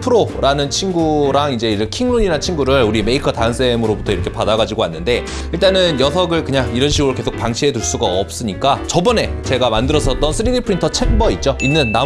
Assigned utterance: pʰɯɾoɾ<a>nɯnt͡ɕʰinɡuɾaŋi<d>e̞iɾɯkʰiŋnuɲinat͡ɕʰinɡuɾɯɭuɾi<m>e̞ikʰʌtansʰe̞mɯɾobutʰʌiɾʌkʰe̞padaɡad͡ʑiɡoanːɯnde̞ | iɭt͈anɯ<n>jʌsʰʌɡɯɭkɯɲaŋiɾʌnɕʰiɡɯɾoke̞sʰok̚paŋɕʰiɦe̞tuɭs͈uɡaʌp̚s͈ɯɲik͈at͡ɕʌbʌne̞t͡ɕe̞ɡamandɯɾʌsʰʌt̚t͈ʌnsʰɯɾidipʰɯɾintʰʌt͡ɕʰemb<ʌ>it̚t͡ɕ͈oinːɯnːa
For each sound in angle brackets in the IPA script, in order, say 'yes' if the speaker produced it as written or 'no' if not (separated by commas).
yes, no, yes, yes, yes